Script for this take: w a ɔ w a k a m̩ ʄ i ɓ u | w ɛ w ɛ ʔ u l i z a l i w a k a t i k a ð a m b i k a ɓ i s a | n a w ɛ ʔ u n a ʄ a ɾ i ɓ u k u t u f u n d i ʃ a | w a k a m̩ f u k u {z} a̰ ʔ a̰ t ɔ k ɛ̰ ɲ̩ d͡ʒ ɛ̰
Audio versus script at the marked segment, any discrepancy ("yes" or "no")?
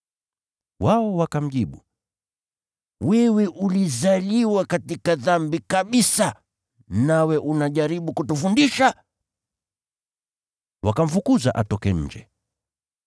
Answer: no